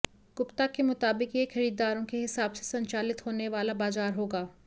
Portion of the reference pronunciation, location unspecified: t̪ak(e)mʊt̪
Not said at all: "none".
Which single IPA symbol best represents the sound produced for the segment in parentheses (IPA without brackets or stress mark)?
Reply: e